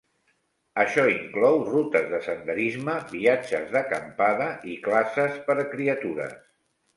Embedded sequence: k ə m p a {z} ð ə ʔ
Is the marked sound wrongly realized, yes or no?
yes